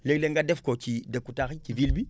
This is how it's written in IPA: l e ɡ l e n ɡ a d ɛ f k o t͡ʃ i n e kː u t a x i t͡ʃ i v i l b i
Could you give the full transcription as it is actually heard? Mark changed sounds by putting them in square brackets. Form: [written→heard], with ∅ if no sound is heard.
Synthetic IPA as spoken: l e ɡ l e [n→ŋ] ɡ a d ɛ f k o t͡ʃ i [n→d] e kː u t a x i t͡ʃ i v i l b i